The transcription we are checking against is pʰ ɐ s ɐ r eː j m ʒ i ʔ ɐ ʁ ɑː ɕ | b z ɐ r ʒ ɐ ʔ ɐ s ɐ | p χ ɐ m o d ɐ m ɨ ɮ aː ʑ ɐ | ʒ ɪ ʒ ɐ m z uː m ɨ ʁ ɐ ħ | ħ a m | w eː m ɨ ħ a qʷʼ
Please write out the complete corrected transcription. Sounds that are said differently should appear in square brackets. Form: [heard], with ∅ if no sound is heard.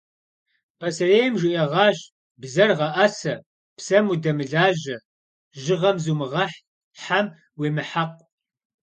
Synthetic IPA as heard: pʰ ɐ s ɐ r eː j m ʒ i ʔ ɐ ʁ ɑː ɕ | b z ɐ r [ʁ] ɐ ʔ ɐ s ɐ | p [s] ɐ m [u] d ɐ m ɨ ɮ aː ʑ ɐ | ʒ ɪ [ʁ] ɐ m z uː m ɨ ʁ ɐ ħ | ħ a m | w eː m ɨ ħ a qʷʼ